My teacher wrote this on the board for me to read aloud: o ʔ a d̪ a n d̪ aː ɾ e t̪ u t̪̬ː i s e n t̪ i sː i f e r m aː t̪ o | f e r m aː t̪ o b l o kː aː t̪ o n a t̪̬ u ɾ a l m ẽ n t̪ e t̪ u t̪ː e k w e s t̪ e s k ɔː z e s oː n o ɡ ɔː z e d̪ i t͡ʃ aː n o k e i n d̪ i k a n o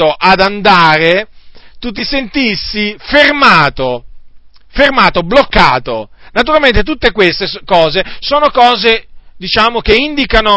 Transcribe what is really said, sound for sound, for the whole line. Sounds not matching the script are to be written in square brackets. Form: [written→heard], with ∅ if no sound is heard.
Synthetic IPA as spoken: o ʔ a d̪ a n d̪ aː ɾ e t̪ u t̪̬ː i s e n t̪ i sː i f e r m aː t̪ o | f e r m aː t̪ o b l o kː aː t̪ o n a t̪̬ u ɾ a l m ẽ n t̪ e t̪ u t̪ː e k w e s t̪ e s k ɔː z e s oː n o [ɡ→k] ɔː z e d̪ i t͡ʃ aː [n→m] o k e i n d̪ i k a n o